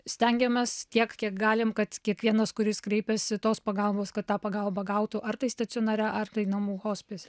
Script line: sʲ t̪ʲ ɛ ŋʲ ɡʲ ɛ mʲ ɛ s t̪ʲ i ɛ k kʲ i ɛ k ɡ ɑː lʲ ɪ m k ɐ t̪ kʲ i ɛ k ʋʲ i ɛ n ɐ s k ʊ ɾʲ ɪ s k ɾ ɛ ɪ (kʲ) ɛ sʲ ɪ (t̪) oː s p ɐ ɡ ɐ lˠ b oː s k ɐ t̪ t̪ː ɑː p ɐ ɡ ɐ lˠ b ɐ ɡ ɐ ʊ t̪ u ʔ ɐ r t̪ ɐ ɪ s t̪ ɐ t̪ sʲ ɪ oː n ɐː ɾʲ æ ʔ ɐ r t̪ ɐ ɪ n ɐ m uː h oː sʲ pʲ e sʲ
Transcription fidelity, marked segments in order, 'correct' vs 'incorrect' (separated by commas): incorrect, correct